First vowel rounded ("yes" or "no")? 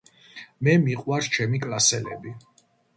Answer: no